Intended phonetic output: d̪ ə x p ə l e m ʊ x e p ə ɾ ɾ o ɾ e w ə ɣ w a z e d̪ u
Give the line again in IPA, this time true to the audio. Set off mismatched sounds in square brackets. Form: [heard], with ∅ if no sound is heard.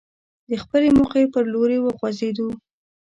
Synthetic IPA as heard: d̪ ə x p ə l e m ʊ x e p ə ɾ [l] o ɾ e w ə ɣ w a z e d̪ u

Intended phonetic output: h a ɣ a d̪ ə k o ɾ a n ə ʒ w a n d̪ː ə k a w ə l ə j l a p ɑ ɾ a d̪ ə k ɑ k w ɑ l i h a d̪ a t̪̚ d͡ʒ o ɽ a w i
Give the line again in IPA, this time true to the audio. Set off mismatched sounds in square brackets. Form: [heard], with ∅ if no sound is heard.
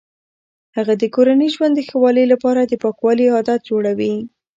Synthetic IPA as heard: h a ɣ a d̪ ə k o ɾ a n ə ʒ w a n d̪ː ə [x] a w [ɑ] l ə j l a p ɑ ɾ a d̪ ə [p] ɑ k w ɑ l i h [ɑ] d̪ a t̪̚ d͡ʒ o ɽ a w i

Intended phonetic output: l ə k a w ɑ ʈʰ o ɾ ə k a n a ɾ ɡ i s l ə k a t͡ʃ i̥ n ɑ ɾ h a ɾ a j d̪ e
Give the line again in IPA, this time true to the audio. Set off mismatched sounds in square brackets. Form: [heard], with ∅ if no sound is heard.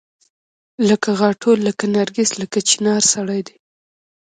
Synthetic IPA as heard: l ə k a [ɣ] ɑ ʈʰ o [l] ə k a n a ɾ ɡ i s l ə k a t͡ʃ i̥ n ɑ ɾ [s] a [ɽ] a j d̪ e

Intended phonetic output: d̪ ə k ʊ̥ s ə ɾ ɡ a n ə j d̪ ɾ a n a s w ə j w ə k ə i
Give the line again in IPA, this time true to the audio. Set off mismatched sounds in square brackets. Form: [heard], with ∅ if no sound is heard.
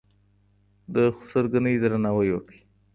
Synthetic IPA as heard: d̪ ə [x] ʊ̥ s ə ɾ ɡ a n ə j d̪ ɾ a n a [∅] w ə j w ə k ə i

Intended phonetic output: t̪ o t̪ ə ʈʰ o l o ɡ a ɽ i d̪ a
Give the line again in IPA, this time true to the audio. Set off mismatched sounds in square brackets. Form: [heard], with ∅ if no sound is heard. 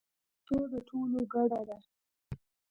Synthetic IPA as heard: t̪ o [d̪] ə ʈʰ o l o ɡ a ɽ [a] d̪ a

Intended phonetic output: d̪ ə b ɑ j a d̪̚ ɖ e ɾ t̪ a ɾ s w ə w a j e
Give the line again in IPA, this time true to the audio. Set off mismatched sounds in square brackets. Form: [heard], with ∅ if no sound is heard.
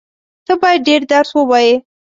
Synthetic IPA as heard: [t̪] ə b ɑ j a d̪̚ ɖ e ɾ [d̪] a ɾ s w ə w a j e

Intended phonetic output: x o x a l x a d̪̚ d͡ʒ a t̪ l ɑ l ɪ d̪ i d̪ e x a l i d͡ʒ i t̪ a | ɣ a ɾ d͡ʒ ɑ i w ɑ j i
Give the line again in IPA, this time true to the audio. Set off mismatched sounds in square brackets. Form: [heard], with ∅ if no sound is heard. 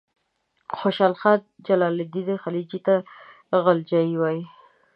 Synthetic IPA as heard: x o [ʃ] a l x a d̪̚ d͡ʒ a [∅] l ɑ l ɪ d̪ i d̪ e x a l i d͡ʒ i t̪ a | ɣ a [l] d͡ʒ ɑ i w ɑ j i

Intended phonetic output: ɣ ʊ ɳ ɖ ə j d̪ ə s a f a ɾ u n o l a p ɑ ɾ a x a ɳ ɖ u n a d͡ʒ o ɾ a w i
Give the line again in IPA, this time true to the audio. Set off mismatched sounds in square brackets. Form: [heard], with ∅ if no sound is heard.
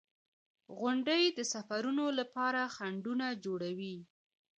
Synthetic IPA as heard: ɣ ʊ ɳ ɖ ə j d̪ ə s a f a ɾ u n o l a p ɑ ɾ a x a ɳ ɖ u n a d͡ʒ o [ɽ] a w i

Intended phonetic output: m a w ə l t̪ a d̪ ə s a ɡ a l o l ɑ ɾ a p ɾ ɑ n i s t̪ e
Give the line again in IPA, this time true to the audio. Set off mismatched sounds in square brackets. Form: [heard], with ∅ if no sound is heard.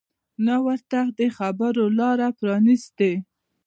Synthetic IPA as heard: [n] a w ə [ɾ] t̪ a d̪ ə [x] a [b] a [ɾ] o l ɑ ɾ a p ɾ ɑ n i s t̪ e

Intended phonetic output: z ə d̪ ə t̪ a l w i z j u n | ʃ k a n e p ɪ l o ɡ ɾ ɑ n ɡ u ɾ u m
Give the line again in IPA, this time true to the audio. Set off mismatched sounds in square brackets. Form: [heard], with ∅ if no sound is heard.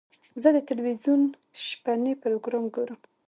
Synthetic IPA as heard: z ə d̪ ə t̪ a l w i z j u n | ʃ [p] a n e p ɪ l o ɡ ɾ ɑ [m] ɡ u ɾ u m

